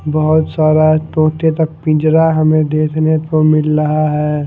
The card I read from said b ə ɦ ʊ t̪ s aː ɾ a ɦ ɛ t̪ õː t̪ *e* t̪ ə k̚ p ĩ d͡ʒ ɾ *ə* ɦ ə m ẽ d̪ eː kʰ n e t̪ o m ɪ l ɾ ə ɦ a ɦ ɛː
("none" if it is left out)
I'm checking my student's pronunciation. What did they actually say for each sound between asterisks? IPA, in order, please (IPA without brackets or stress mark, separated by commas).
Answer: e, a